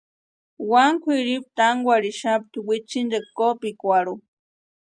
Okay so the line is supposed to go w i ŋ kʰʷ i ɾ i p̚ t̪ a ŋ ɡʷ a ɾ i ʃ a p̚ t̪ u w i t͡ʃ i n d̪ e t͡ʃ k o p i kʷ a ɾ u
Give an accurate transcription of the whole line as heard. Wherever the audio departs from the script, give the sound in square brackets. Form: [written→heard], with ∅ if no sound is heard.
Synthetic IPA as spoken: w [i→a] ŋ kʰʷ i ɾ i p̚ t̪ a ŋ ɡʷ a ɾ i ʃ a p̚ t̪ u w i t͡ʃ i n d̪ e [t͡ʃ→∅] k o p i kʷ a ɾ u